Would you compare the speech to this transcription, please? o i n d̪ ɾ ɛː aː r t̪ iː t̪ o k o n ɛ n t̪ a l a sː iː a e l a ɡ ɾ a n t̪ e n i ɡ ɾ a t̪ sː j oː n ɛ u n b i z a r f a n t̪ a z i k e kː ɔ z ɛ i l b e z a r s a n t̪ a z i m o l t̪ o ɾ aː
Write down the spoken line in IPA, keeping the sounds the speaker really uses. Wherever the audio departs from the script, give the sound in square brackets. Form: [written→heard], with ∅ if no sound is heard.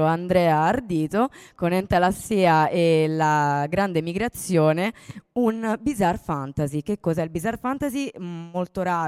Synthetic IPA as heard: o [i→a] n d̪ ɾ ɛː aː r [t̪→d̪] iː t̪ o k o n ɛ n t̪ a l a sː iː a e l a ɡ ɾ a n [t̪→d̪] e [n→m] i ɡ ɾ a t̪ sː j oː n [ɛ→e] u n b i z a r f a n t̪ a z i k e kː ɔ z ɛ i l b [e→i] z a r [s→f] a n t̪ a z i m o l t̪ o ɾ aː